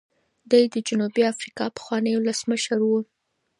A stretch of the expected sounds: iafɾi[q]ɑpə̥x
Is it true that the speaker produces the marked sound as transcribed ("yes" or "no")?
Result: no